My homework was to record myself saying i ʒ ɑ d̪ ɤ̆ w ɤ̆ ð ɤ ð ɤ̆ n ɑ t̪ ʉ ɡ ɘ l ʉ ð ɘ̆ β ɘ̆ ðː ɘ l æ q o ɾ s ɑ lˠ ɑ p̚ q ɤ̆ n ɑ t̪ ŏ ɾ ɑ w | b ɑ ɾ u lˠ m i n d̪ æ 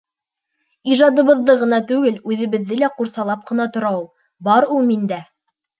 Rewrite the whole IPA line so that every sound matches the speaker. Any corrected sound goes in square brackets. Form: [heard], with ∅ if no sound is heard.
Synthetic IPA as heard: i ʒ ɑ d̪ ɤ̆ [β] ɤ̆ [ðː] ɤ [ʁ] ɤ̆ n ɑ t̪ ʉ ɡ ɘ l ʉ ð ɘ̆ β ɘ̆ ðː ɘ l æ q [u] ɾ s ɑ lˠ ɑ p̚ q ɤ̆ n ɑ t̪ ŏ ɾ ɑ w | b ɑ ɾ u lˠ m i n d̪ æ